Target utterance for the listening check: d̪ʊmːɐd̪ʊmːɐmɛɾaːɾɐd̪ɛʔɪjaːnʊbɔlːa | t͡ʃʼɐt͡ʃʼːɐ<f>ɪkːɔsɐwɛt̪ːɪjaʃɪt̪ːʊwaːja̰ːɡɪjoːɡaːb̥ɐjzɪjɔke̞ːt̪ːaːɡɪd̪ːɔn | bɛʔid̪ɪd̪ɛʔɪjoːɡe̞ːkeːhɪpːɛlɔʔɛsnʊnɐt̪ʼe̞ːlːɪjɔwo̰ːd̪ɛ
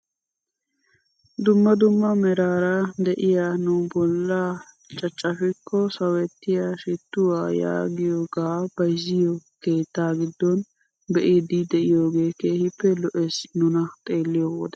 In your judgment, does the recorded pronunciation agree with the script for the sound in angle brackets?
yes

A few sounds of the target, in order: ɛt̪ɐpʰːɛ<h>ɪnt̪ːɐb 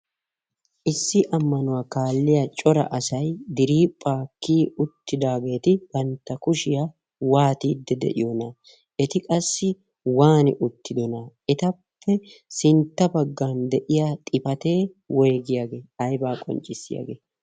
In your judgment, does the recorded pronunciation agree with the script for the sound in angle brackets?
no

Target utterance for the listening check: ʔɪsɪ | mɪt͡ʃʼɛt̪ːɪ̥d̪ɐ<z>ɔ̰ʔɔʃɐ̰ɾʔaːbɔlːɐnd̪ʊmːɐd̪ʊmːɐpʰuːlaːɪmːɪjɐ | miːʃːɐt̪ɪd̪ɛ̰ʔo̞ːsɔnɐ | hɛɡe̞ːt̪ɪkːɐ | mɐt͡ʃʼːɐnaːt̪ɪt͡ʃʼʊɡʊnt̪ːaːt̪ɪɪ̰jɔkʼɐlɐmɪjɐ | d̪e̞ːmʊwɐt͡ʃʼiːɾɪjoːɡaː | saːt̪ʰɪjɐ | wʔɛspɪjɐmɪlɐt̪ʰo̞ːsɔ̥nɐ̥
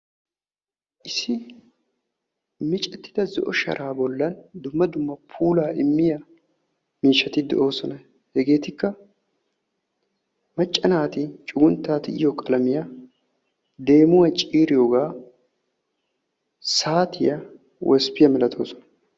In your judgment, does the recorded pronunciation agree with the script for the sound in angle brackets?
yes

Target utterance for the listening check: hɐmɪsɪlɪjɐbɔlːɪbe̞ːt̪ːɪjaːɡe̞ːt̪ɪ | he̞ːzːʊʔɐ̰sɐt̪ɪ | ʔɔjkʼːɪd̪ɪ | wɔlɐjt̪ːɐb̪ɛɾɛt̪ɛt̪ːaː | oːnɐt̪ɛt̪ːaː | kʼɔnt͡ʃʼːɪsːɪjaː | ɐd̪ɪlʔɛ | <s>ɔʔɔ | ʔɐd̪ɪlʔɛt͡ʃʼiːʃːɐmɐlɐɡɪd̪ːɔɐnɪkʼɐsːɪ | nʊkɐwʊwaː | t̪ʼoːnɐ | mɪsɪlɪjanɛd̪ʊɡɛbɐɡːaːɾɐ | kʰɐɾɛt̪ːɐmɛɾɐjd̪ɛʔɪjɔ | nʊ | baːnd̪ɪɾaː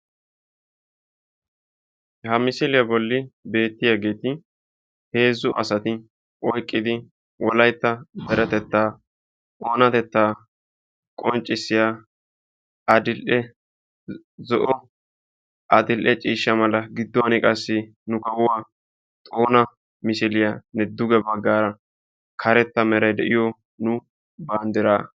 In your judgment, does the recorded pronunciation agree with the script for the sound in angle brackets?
no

